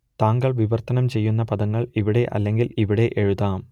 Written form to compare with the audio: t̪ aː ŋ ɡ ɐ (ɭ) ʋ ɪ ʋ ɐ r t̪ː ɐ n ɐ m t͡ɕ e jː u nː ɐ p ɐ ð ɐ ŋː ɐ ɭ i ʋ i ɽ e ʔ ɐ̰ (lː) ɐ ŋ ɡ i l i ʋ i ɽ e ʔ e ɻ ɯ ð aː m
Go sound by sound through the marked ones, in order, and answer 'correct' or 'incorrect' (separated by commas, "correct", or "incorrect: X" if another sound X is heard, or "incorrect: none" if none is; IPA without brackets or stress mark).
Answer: correct, correct